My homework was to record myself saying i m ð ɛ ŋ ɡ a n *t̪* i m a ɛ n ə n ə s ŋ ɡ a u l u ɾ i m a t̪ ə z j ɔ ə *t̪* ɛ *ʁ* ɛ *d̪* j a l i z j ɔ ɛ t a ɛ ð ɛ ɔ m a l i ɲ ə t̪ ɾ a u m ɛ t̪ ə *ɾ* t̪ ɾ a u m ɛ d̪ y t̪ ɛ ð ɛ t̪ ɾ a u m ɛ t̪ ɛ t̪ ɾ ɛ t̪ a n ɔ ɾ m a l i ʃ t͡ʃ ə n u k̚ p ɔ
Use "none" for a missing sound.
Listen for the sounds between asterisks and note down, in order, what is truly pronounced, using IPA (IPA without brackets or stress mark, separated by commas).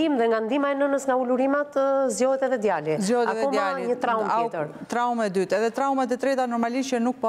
d̪, t̪, ð, d̪, ɾ